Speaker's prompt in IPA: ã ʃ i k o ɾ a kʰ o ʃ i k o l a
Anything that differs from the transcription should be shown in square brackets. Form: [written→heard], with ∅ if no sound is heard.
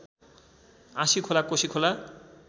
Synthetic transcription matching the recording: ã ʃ i [k→kʰ] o [ɾ→l] a [kʰ→k] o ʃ i [k→kʰ] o l a